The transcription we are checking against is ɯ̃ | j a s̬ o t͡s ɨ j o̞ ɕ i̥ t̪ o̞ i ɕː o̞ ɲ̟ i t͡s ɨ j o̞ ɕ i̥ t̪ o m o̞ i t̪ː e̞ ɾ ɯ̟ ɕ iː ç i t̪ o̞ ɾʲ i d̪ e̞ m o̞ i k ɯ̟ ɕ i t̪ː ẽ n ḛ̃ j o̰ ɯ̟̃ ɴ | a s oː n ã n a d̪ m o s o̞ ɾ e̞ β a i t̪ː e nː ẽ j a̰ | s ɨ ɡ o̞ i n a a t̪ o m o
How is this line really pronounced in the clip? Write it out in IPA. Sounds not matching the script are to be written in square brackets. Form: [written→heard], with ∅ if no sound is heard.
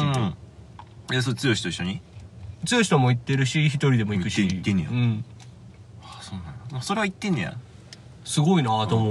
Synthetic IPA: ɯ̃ | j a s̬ o t͡s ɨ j o̞ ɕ i̥ t̪ o̞ i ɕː o̞ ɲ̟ i t͡s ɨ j o̞ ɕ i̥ t̪ o m o̞ i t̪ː e̞ ɾ ɯ̟ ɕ [iː→i] ç i t̪ o̞ ɾʲ i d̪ e̞ m o̞ i k ɯ̟ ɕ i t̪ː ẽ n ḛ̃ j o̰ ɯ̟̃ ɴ | a s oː n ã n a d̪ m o s o̞ ɾ e̞ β a i t̪ː e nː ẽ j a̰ | s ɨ ɡ o̞ i n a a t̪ o m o